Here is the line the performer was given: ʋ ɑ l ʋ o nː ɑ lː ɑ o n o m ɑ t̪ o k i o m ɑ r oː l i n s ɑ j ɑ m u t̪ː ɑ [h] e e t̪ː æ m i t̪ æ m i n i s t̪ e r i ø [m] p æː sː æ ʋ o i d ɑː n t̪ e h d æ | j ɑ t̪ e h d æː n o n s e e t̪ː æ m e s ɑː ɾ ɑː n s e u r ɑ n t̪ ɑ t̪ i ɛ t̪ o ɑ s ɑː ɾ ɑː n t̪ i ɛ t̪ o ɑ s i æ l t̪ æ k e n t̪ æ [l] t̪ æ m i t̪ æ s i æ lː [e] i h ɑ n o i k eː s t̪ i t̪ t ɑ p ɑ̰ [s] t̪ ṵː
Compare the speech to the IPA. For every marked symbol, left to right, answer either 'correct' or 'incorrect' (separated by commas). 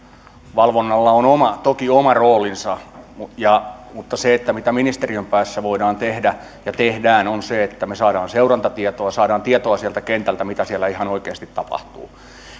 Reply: incorrect, correct, correct, incorrect, incorrect